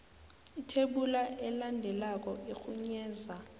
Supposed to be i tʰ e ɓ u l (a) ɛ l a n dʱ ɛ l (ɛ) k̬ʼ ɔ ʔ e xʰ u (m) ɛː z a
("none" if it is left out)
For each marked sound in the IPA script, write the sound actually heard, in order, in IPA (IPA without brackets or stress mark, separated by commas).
a, a, ɲ